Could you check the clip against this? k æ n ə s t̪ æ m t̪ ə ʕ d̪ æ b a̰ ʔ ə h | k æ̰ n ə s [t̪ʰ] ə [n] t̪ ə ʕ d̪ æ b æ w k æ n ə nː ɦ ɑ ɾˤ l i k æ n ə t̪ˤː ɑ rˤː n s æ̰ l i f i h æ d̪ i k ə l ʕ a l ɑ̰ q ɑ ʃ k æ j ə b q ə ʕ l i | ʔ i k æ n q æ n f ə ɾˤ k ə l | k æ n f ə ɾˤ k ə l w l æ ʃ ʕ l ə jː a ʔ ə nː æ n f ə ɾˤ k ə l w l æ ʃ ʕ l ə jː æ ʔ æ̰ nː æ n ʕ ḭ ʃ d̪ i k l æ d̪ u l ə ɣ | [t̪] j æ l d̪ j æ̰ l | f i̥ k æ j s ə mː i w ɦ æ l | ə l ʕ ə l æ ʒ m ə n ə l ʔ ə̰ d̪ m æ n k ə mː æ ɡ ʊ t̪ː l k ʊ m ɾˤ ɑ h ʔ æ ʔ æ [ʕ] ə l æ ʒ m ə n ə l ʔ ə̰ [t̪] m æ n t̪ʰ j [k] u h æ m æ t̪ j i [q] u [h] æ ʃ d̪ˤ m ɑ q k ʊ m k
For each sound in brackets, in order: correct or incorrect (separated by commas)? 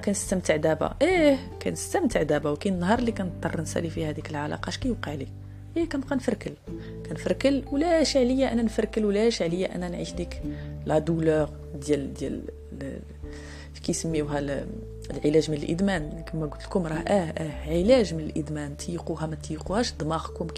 incorrect, incorrect, incorrect, correct, incorrect, incorrect, correct, correct